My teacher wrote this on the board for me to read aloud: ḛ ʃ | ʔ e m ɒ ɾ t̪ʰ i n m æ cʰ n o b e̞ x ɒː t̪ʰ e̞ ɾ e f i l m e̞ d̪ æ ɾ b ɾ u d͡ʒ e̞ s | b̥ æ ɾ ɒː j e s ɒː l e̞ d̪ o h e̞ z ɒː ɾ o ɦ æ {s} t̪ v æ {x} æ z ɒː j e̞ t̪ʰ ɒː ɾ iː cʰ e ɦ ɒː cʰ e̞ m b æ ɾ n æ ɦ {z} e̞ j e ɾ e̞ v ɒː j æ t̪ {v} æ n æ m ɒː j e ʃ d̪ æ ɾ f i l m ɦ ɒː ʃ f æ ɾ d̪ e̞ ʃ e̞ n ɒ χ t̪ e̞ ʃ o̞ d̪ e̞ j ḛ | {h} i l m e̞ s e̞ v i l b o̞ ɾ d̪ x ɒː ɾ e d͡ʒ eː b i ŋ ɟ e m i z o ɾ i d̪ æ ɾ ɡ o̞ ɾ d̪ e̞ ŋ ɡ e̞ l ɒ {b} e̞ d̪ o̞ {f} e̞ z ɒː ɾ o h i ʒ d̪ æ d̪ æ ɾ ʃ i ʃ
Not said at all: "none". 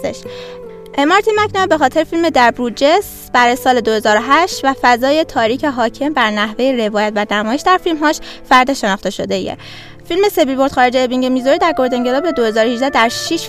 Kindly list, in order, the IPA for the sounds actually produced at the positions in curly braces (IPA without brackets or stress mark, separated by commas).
ʃ, f, v, v, f, b, h